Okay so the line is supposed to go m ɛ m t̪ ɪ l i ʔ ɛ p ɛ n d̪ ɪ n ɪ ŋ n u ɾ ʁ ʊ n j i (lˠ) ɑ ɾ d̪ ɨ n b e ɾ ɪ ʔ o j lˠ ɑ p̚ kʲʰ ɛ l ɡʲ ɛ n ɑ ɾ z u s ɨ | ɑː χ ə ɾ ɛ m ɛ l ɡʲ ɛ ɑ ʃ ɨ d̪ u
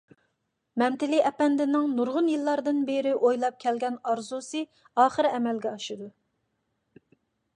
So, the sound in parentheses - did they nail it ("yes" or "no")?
no